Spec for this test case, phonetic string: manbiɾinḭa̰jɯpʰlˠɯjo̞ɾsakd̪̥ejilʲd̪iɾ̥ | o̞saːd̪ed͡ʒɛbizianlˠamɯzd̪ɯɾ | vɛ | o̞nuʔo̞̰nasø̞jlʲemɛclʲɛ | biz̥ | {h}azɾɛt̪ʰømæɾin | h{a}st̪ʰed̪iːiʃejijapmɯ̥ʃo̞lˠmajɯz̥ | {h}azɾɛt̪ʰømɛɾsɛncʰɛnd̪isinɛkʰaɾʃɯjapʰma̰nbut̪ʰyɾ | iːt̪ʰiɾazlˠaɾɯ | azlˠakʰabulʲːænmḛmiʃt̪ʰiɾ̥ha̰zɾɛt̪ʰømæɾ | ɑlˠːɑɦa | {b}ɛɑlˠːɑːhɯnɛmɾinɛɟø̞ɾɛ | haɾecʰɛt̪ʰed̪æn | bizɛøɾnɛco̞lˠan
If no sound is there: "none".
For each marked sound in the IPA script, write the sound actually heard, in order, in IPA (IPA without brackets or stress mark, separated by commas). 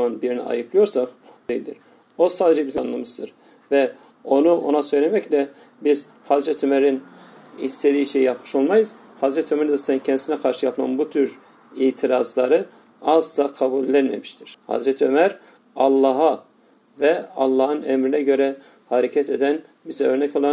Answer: h, i, h, v